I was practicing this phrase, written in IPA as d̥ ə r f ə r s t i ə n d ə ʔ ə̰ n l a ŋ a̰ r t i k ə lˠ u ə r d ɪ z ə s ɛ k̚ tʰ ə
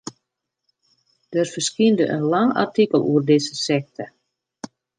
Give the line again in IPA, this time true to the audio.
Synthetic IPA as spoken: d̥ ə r f ə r s k i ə n d ə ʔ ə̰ n l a ŋ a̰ r t i k ə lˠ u ə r d ɪ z ə s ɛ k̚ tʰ ə